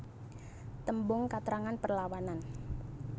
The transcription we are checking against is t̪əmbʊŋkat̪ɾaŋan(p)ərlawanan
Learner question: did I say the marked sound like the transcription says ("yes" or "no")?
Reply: yes